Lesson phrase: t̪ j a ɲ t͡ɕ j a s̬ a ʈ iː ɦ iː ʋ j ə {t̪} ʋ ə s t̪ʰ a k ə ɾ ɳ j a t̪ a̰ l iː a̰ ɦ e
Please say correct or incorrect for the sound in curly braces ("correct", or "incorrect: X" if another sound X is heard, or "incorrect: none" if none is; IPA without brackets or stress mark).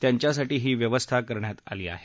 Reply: incorrect: none